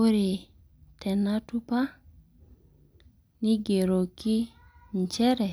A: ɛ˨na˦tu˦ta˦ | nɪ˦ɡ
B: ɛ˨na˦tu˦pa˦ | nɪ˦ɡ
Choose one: B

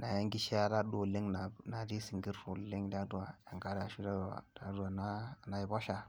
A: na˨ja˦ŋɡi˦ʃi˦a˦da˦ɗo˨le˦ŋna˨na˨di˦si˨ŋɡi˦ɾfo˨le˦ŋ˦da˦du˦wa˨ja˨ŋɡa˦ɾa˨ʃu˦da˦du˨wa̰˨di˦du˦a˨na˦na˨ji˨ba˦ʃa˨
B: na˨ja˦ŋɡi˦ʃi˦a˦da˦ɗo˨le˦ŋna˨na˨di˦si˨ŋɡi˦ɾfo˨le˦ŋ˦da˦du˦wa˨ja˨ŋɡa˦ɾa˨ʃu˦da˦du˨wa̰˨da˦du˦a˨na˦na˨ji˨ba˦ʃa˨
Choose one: B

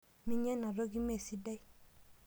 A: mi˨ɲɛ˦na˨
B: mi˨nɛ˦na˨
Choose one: A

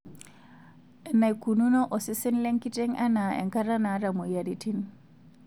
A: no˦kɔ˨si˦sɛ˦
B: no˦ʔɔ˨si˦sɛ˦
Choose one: B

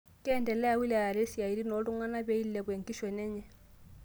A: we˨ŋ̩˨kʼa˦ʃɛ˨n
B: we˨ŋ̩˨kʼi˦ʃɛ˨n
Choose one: B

